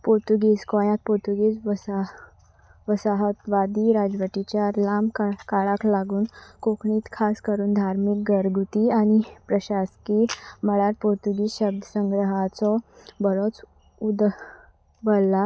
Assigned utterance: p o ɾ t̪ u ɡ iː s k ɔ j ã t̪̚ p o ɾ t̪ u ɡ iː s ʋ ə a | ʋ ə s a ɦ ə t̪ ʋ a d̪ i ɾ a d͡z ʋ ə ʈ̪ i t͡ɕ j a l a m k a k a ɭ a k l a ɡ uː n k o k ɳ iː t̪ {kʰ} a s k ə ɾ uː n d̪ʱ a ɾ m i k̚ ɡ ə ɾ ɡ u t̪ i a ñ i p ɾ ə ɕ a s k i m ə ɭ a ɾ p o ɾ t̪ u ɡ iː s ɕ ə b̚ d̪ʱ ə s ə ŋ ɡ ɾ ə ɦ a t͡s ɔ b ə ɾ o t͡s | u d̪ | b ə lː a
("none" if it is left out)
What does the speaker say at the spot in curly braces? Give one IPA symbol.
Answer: kʰ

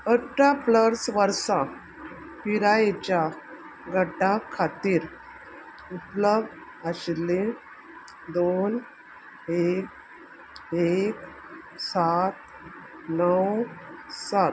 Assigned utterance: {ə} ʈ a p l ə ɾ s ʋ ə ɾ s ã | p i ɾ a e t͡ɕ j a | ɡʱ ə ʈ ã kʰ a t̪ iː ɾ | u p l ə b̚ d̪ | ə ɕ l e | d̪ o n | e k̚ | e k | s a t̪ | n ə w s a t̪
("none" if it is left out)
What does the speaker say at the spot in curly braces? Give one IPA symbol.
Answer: ə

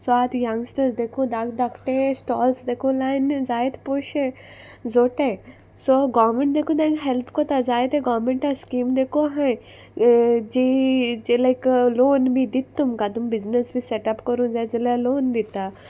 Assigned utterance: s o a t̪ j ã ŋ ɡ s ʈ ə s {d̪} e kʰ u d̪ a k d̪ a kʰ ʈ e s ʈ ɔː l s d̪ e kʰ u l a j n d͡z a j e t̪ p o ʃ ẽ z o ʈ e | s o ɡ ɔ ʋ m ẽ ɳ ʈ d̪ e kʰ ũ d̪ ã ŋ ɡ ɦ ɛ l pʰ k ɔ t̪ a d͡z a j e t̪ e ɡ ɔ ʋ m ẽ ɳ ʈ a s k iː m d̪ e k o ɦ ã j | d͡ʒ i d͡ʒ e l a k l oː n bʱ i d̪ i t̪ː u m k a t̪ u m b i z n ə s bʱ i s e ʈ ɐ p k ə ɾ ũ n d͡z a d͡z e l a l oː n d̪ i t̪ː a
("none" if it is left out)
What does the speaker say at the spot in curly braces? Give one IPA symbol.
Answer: d̪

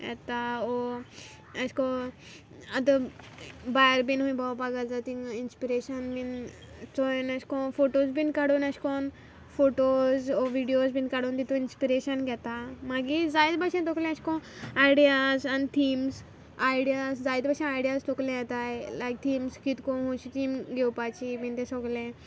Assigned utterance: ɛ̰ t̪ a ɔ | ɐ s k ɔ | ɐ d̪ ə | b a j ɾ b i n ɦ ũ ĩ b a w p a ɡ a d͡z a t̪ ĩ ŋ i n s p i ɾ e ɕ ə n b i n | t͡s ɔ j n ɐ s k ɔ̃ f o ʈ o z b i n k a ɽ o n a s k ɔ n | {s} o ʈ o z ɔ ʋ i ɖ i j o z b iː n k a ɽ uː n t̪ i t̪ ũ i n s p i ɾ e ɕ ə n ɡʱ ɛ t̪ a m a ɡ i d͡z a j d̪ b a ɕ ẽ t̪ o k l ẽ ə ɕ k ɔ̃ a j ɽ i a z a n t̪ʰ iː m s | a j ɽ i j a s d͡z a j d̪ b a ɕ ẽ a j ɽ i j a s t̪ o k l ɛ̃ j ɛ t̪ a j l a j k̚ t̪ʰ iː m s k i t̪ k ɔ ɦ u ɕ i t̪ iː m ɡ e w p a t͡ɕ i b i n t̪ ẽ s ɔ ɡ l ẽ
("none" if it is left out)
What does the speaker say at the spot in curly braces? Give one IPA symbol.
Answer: f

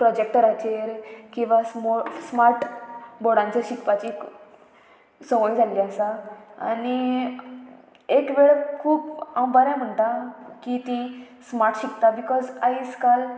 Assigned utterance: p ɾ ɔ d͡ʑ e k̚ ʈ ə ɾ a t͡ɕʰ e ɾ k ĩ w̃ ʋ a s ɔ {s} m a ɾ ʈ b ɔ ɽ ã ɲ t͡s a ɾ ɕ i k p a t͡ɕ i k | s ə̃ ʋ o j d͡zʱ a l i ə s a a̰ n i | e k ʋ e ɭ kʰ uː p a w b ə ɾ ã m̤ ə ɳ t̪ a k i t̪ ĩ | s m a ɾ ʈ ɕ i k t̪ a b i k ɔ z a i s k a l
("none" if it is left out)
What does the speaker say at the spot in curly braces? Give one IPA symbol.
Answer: s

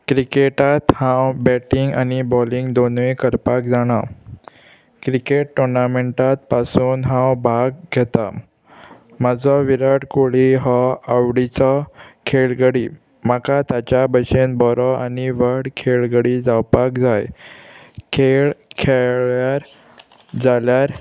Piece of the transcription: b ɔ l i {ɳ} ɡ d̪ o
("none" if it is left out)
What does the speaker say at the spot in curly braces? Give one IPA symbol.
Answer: ŋ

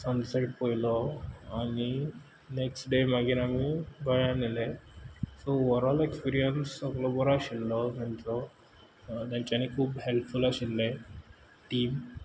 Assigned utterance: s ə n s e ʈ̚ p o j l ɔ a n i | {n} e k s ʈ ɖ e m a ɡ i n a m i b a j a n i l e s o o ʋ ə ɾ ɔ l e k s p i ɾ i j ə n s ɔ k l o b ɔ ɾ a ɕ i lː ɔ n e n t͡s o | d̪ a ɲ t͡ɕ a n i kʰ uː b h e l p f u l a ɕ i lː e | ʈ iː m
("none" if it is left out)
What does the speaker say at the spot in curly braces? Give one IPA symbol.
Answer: n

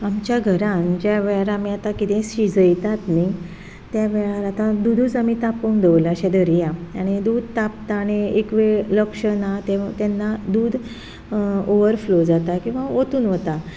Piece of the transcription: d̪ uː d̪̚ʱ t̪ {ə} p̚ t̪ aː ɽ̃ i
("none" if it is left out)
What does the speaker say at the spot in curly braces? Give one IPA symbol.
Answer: a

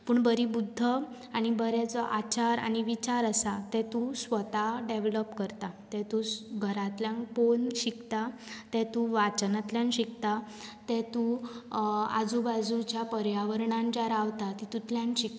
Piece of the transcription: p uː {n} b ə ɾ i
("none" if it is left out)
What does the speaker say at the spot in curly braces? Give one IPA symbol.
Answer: ɳ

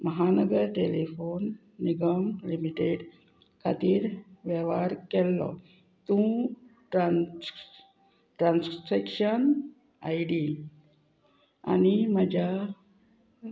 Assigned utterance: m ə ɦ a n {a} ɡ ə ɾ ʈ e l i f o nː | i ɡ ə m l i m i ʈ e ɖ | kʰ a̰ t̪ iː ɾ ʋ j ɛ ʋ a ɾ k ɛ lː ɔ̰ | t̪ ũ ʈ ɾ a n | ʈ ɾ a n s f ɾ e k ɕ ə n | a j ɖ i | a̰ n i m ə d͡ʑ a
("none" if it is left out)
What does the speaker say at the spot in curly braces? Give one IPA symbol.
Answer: ə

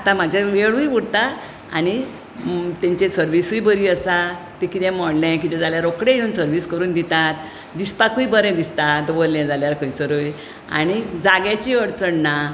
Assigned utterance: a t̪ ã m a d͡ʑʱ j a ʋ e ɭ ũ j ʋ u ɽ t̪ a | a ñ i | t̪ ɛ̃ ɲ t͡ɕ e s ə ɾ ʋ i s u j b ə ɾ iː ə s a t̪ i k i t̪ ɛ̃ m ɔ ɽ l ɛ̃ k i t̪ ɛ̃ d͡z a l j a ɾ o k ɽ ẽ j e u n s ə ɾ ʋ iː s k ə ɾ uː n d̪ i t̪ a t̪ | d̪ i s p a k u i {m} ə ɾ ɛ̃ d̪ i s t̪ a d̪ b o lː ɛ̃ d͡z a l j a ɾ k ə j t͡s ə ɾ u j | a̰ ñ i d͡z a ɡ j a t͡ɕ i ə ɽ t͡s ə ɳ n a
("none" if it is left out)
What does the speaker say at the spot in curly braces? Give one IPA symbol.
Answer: b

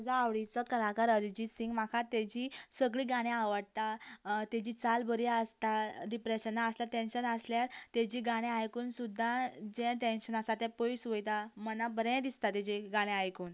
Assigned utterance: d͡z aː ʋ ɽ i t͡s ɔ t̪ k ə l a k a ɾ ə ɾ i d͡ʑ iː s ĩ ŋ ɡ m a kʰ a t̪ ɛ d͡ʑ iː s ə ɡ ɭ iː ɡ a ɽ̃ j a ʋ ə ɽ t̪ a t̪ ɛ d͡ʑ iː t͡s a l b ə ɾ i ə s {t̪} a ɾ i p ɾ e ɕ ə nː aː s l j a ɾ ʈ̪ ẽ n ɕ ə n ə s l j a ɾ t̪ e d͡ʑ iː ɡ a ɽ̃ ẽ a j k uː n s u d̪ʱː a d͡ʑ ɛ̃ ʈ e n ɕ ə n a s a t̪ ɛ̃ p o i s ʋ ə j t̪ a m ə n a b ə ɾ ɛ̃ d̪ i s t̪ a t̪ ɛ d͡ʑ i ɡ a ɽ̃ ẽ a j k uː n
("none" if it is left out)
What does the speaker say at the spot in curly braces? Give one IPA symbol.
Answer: t̪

